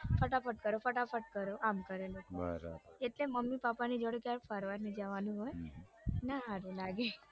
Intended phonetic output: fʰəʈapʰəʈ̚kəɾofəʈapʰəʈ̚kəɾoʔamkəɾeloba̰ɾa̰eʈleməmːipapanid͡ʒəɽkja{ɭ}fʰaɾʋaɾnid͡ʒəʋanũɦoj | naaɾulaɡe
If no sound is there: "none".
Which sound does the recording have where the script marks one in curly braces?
ɾ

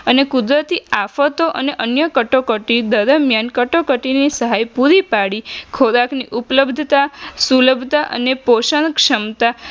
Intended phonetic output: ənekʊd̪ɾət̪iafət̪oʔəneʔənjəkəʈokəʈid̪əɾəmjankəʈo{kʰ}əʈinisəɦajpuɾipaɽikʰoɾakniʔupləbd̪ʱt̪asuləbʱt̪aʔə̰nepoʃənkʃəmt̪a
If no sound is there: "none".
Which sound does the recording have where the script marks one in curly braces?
k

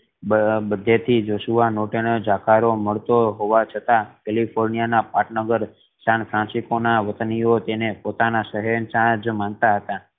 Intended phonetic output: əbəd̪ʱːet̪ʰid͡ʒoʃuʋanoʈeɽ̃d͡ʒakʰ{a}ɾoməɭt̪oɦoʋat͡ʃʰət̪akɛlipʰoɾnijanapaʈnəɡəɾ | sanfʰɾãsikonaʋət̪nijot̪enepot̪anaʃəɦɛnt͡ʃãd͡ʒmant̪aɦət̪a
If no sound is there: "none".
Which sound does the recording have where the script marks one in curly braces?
a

